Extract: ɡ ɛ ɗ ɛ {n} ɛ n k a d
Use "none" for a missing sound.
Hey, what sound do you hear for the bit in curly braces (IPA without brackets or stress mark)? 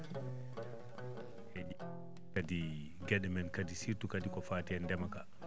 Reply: m